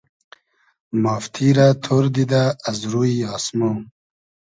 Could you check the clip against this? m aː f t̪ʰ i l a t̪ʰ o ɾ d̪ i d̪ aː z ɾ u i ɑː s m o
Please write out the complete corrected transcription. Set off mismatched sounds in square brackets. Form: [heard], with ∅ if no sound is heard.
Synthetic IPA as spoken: m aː f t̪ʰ i [ɾ] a t̪ʰ o ɾ d̪ i d̪ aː z ɾ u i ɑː s m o

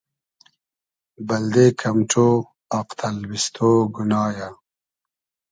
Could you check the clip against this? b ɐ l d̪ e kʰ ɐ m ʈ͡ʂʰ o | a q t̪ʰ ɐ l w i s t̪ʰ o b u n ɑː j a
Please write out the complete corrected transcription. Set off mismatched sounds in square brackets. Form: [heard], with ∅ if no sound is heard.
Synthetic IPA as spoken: b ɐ l d̪ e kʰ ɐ m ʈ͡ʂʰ o | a q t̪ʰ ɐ l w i s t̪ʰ o [ɡ] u n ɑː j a

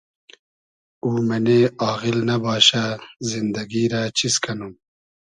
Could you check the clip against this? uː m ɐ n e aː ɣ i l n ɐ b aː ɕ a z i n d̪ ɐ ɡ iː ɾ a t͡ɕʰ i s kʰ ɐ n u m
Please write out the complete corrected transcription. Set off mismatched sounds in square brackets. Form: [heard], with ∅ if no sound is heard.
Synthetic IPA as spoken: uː m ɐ n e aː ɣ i l n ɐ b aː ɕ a z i n d̪ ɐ ɡ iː ɾ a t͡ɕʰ i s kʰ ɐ n u m

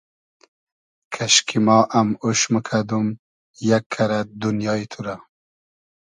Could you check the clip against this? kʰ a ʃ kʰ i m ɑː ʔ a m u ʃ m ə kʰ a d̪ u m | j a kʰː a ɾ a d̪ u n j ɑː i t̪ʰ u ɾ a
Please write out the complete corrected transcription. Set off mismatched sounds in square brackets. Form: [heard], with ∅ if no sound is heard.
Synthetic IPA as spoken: kʰ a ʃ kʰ i m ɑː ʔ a m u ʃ m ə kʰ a d̪ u m | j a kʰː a ɾ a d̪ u n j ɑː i t̪ʰ u ɾ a

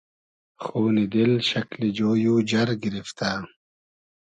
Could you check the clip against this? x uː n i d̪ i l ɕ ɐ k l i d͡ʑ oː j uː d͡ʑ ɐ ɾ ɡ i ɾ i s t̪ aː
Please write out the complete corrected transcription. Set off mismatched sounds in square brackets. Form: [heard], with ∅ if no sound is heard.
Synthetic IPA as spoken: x uː n i d̪ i l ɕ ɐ k l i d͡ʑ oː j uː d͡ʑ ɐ ɾ ɡ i ɾ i [f] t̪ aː

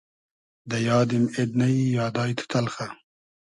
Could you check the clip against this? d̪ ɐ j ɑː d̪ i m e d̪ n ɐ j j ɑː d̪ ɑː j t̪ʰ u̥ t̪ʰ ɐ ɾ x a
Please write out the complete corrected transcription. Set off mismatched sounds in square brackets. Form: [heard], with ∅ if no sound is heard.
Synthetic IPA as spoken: d̪ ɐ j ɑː d̪ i m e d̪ n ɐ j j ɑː d̪ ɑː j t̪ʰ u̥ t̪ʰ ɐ [l] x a

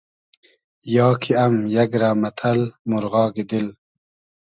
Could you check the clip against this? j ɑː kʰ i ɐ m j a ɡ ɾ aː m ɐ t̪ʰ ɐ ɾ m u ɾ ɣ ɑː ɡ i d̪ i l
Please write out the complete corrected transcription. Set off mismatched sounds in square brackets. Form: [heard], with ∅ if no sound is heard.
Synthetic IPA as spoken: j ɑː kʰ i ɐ m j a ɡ ɾ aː m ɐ t̪ʰ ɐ [l] m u ɾ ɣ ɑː ɡ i d̪ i l

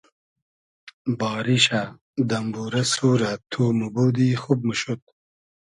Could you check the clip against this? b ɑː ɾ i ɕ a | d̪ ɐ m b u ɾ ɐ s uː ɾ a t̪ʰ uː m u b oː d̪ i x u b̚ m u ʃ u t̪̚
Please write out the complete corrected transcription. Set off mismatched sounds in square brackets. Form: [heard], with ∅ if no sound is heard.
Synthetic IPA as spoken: b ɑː ɾ i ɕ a | d̪ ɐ m b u ɾ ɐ s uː ɾ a t̪ʰ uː m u b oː d̪ i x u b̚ m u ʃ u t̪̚

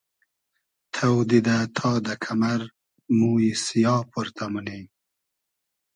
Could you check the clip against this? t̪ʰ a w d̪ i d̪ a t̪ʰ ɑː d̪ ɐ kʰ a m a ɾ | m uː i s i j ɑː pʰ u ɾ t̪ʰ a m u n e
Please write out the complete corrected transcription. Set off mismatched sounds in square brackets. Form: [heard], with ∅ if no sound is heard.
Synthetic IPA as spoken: t̪ʰ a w d̪ i d̪ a t̪ʰ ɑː d̪ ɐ kʰ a m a ɾ | m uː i s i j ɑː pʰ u ɾ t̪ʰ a m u n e

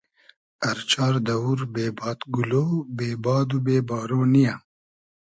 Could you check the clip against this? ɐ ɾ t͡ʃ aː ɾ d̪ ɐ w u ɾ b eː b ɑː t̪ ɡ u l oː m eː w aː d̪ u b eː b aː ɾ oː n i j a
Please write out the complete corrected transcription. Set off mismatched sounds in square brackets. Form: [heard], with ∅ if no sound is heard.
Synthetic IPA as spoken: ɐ ɾ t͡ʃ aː ɾ d̪ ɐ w u ɾ b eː b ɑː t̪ ɡ u l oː [b] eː [b] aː d̪ u b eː b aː ɾ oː n i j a

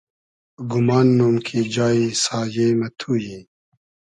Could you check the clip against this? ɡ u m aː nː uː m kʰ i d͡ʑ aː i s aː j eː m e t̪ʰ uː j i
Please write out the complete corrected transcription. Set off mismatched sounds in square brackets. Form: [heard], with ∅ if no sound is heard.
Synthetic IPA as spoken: ɡ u m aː nː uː m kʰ i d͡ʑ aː i s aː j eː m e t̪ʰ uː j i

